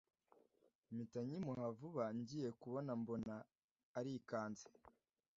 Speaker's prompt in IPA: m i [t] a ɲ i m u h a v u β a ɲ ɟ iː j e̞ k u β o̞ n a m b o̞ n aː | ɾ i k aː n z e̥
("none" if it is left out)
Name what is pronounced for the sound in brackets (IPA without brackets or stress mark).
t